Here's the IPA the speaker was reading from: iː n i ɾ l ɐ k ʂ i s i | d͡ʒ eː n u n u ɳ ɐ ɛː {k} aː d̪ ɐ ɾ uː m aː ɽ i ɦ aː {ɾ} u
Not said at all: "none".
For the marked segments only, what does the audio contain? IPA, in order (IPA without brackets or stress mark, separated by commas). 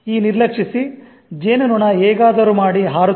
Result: ɡ, ɾ